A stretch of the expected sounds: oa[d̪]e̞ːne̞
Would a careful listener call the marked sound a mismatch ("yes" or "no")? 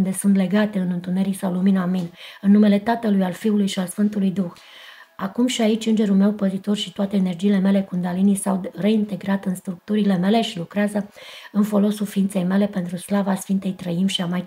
yes